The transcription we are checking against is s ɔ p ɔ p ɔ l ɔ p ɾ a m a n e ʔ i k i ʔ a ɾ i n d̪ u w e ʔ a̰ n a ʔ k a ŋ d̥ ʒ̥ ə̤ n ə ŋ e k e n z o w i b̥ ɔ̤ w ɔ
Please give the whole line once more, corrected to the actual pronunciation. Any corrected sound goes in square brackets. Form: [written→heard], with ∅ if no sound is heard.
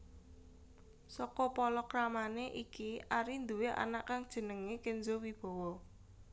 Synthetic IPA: s ɔ [p→k] ɔ p ɔ l ɔ [p→k] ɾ a m a n e ʔ i k i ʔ a ɾ i n d̪ u w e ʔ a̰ n a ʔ k a ŋ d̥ ʒ̥ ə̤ n ə ŋ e k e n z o w i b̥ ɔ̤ w ɔ